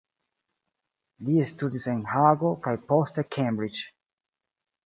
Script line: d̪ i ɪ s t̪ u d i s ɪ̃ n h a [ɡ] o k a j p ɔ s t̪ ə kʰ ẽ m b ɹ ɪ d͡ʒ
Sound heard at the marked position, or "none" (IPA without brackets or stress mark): ɡ